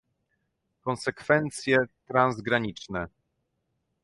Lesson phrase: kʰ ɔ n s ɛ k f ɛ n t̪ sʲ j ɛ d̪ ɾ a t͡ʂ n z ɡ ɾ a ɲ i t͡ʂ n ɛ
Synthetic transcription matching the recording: k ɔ n s ɛ k f ɛ n t̪ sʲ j ɛ t̪ ɾ a n z ɡ ɾ a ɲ i t͡ʂ n ɛ